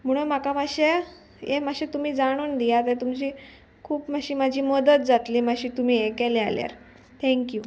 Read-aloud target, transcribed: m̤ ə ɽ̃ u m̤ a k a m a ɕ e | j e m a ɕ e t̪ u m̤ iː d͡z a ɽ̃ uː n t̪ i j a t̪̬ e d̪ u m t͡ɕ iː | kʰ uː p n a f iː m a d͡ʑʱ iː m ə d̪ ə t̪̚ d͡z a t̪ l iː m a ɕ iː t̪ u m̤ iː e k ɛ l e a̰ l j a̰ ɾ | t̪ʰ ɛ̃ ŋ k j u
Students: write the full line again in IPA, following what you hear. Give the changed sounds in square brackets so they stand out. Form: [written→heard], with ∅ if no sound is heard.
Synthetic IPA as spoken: m̤ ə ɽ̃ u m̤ a k a m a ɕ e | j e m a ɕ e t̪ u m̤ iː d͡z a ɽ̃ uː n [t̪→d̪] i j a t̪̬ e [d̪→t̪] u m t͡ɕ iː | kʰ uː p [n→m] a [f→ɕ] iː m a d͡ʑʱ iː m ə d̪ ə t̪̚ d͡z a t̪ l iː m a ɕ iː t̪ u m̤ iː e k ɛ l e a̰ l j a̰ ɾ | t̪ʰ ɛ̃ ŋ k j u